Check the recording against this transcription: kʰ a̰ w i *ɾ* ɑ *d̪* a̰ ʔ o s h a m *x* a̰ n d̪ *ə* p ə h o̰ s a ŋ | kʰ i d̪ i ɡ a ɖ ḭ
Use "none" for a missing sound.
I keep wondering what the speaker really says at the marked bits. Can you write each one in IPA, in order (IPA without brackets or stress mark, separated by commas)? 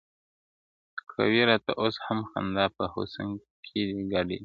ɾ, t̪, x, ɑ